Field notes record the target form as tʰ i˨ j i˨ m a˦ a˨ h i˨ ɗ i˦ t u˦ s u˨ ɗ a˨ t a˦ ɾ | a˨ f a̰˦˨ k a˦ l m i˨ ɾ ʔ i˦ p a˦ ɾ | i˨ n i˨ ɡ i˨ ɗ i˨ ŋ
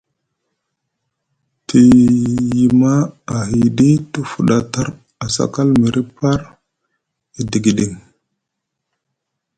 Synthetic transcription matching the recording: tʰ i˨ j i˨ m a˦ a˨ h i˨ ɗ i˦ t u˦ f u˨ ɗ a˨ t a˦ ɾ | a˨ s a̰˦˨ k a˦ l m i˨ ɾ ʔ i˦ p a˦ ɾ | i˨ d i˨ ɡ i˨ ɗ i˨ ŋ

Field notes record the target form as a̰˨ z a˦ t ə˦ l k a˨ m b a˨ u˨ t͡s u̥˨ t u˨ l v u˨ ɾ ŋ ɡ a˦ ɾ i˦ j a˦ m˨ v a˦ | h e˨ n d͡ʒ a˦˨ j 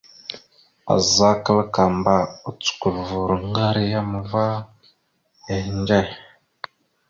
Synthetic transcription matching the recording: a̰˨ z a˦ k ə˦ l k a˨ m b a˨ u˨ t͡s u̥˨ k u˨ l v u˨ ɾ ŋ ɡ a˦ ɾ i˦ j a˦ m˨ v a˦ | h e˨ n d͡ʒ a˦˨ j

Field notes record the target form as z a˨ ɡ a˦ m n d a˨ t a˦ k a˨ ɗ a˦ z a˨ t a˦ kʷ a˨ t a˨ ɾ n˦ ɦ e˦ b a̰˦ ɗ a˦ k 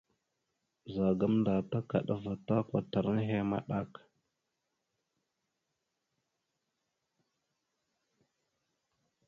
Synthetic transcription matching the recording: z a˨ ɡ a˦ m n d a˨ t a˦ k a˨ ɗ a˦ v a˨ t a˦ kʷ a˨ t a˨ ɾ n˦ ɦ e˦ m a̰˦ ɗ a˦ k

